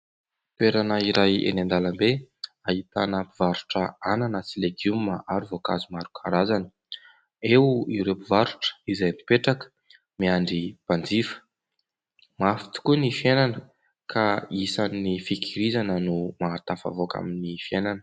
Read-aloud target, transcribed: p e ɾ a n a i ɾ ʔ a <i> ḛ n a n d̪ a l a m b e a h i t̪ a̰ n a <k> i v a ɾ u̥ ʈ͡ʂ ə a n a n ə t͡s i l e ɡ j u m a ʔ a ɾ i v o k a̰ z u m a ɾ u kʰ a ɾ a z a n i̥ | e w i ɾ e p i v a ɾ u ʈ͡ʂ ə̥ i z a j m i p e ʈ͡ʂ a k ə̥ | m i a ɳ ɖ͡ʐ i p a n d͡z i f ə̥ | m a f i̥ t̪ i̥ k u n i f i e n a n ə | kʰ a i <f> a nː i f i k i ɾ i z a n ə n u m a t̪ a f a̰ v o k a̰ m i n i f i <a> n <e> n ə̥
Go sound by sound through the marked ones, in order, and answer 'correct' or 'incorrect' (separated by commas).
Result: incorrect, incorrect, incorrect, incorrect, incorrect